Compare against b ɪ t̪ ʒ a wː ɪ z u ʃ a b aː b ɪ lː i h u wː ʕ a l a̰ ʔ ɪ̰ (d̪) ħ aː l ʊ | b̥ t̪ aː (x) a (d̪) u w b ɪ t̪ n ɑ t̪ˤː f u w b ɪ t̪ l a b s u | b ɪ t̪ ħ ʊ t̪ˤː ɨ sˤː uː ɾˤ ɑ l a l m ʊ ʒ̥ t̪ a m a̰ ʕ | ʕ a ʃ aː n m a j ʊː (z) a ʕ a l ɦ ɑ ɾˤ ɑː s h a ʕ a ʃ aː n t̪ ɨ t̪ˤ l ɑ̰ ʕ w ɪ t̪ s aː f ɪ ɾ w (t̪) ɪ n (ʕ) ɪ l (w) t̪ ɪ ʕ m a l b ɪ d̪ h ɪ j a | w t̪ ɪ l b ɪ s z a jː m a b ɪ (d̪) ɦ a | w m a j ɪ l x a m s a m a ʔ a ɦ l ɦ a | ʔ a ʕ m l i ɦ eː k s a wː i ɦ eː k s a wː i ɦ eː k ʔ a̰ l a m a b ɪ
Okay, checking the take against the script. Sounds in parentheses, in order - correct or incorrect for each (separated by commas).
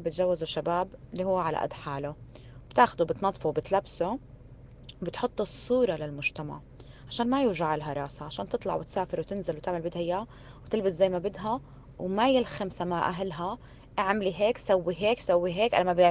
correct, correct, correct, incorrect, correct, incorrect, correct, correct